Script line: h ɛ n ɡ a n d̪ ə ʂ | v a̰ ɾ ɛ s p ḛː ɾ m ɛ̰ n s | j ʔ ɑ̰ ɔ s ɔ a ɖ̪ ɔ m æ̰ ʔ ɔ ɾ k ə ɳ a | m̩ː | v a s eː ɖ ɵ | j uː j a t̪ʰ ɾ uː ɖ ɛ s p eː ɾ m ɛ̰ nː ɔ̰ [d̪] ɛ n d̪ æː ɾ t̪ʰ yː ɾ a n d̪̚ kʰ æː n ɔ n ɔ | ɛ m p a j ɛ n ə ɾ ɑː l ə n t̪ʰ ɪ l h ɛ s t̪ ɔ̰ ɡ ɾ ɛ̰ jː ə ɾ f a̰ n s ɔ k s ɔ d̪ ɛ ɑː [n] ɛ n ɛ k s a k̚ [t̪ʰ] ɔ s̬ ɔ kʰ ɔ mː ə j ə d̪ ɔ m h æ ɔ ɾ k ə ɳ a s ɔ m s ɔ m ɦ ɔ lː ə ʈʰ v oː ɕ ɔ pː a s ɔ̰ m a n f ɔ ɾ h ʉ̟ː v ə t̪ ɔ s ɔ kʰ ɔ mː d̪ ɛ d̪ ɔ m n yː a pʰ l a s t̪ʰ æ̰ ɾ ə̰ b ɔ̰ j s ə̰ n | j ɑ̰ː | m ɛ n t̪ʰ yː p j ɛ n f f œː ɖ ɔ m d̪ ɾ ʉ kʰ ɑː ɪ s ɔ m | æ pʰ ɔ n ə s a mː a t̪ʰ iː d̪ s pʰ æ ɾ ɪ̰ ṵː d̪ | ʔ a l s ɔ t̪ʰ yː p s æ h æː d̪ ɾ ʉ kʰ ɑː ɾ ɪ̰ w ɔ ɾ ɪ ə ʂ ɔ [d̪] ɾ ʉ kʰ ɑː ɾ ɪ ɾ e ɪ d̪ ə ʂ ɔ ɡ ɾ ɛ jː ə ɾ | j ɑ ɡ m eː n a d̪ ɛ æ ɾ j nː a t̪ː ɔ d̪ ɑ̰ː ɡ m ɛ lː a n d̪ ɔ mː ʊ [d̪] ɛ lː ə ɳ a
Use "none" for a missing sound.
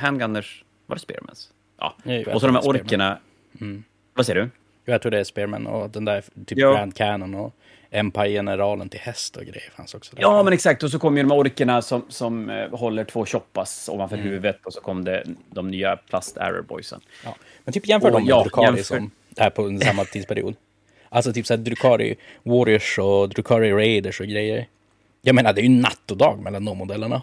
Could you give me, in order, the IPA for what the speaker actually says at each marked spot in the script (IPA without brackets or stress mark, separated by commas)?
d̪, m, t̪, d̪, d̪